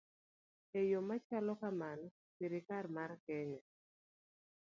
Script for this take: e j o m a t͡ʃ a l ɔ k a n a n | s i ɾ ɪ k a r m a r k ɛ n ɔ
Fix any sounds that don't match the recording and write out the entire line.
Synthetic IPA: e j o m a t͡ʃ a l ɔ k a m a n | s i ɾ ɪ k a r m a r k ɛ ɲ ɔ